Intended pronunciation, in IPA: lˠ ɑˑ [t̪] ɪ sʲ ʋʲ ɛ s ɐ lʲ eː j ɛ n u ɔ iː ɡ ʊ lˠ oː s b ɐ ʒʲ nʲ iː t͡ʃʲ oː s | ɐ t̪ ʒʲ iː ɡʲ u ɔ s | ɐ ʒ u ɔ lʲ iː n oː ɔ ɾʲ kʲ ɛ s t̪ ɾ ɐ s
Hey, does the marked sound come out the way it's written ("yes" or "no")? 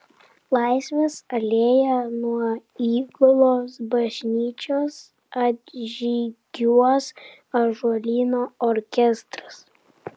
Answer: no